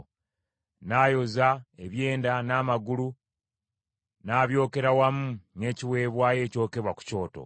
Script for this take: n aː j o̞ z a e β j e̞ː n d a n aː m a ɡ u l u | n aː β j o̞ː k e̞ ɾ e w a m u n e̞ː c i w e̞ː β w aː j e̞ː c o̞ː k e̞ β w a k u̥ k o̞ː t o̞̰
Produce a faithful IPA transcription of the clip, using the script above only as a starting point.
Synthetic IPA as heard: n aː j o̞ z a e β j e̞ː n d a n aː m a ɡ u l u | n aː β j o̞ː k e̞ ɾ a w a m u n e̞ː c i w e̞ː β w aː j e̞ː c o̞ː k e̞ β w a k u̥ c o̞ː t o̞̰